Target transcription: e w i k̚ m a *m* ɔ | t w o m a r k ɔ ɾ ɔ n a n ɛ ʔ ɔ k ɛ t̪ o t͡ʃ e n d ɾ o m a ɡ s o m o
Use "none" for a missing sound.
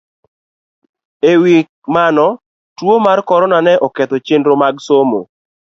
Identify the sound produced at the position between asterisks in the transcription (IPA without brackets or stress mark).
n